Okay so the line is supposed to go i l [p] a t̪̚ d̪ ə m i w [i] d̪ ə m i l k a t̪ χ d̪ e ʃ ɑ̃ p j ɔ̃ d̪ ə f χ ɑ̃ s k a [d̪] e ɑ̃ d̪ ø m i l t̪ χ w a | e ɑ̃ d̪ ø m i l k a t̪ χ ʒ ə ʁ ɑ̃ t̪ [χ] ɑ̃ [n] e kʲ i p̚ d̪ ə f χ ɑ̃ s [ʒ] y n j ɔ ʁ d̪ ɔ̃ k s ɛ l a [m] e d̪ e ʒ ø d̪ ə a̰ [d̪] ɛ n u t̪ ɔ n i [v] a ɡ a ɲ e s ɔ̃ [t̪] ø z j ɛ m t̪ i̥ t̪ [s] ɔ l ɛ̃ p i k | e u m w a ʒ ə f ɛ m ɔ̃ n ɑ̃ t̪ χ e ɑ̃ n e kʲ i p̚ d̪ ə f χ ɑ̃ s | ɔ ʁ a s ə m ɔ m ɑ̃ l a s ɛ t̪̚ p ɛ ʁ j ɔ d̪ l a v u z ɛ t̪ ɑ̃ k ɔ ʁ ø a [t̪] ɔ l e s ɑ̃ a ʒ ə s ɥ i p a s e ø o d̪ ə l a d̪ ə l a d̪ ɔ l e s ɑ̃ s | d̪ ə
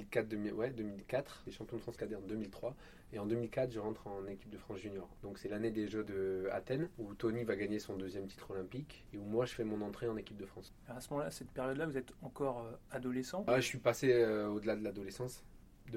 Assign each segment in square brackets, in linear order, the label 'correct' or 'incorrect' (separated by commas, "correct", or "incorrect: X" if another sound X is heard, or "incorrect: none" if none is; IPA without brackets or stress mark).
incorrect: k, incorrect: ɛ, correct, correct, correct, correct, incorrect: n, incorrect: t̪, correct, incorrect: d̪, incorrect: χ, incorrect: d̪